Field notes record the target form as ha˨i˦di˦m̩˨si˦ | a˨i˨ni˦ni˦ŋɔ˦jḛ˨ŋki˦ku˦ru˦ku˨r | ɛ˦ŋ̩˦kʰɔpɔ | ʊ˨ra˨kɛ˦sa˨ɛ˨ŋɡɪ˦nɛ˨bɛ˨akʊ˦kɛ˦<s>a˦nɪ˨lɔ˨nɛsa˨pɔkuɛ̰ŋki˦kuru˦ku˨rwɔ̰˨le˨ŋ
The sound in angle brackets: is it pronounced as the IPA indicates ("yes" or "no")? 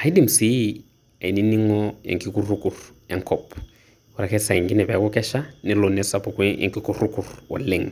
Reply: no